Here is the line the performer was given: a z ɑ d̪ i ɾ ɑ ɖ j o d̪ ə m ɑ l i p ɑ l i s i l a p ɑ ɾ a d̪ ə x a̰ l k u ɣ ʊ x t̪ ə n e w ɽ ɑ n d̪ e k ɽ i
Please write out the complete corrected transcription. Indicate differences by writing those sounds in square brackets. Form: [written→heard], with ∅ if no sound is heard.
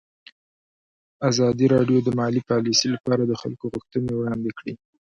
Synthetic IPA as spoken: a z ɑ d̪ i ɾ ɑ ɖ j o d̪ ə m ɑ l i p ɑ l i s i l a p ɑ ɾ a d̪ ə x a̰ l k [u→o] ɣ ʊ x t̪ ə n e w ɽ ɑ n d̪ e k ɽ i